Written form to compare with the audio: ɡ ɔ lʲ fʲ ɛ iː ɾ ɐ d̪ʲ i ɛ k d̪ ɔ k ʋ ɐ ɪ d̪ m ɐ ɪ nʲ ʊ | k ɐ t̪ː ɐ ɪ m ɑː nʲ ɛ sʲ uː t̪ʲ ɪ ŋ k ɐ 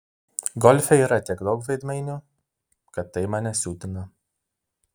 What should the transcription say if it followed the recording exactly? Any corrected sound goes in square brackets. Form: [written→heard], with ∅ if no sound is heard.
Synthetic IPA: ɡ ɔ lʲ fʲ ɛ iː ɾ ɐ [d̪ʲ→t̪ʲ] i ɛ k d̪ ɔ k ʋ ɐ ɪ d̪ m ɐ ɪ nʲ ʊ | k ɐ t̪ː ɐ ɪ m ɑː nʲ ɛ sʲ uː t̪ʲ ɪ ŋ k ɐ

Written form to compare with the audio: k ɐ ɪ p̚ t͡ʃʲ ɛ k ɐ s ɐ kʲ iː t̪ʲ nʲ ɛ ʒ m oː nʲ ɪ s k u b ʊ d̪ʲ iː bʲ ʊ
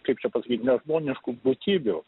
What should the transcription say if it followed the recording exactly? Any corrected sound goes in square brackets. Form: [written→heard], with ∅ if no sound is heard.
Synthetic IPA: k ɐ ɪ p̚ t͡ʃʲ ɛ [k→p] ɐ s ɐ kʲ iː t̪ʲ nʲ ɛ ʒ m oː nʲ ɪ [s→ʃ] k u b ʊ [d̪ʲ→t̪ʲ] iː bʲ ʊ

